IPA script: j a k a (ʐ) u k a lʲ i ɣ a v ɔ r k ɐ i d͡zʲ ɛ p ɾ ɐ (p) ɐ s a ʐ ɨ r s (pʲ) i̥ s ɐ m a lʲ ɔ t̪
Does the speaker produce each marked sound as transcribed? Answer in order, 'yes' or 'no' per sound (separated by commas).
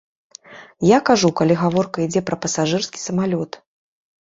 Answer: yes, yes, no